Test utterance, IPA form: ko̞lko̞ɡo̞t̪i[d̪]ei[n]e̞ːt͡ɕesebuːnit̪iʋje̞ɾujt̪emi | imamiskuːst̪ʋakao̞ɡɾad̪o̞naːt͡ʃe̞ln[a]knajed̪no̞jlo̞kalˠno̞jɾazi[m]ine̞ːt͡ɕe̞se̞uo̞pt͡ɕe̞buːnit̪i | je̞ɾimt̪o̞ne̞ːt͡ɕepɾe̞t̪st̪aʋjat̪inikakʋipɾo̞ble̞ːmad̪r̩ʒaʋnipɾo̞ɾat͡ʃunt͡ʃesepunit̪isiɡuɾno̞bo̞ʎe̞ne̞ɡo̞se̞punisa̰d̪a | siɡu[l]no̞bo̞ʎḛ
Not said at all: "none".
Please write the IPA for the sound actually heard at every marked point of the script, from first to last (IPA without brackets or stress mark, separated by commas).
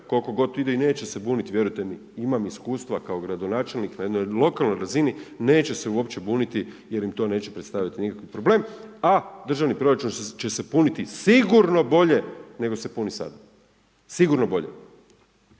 d̪, n, i, n, ɾ